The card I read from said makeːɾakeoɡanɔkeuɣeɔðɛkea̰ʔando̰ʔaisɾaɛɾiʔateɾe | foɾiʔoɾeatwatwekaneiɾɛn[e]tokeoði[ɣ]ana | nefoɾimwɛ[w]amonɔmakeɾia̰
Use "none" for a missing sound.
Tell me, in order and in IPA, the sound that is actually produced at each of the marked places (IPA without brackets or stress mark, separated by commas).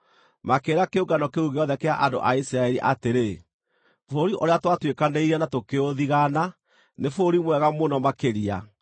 a, ɣ, ɣ